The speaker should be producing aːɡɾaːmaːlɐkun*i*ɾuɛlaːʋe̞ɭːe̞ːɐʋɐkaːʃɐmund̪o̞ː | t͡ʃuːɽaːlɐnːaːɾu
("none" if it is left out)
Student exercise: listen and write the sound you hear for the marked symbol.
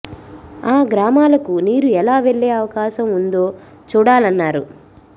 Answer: iː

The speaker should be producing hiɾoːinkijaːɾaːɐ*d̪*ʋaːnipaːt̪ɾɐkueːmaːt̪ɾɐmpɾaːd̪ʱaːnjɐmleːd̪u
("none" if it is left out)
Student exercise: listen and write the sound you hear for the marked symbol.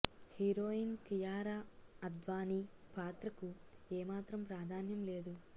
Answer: d̪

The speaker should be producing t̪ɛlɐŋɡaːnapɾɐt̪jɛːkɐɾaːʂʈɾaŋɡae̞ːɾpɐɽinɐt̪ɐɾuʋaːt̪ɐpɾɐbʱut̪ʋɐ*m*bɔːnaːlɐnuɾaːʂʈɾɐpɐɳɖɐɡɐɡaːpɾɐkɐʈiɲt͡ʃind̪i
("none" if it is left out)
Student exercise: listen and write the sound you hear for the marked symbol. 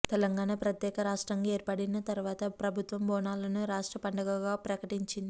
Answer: m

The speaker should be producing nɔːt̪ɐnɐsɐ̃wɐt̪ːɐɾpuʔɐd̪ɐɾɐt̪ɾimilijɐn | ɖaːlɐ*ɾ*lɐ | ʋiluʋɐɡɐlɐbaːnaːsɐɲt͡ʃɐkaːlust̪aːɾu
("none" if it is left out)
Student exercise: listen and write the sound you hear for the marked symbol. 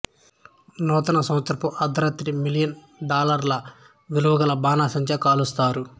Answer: ɾ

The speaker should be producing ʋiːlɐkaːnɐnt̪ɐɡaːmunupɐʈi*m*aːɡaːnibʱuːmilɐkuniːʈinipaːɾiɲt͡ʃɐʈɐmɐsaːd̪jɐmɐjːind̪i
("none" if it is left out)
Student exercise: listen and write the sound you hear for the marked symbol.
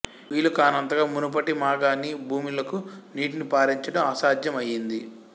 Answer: m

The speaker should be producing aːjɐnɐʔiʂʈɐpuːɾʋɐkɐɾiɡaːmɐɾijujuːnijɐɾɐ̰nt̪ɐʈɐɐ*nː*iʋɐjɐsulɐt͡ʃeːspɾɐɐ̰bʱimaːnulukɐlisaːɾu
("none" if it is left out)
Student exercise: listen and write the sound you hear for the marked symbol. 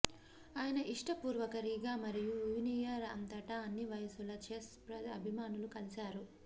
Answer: nː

